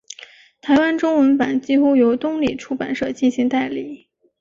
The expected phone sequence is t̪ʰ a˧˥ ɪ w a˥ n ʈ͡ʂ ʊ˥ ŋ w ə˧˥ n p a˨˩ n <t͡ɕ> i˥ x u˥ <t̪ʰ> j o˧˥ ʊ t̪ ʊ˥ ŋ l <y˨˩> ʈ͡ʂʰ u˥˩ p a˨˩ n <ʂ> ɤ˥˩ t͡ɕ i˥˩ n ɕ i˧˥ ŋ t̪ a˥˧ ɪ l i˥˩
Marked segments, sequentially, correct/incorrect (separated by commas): correct, incorrect, incorrect, correct